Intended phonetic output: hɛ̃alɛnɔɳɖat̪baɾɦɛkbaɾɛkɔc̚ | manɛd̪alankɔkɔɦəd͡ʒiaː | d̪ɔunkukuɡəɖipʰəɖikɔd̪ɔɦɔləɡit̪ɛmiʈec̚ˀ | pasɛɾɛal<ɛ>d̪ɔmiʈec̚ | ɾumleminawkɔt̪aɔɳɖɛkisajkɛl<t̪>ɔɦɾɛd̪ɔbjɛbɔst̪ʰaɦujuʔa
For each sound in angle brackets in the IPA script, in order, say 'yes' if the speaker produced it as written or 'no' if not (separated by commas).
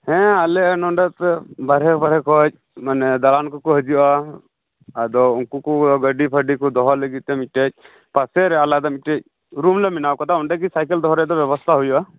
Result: no, no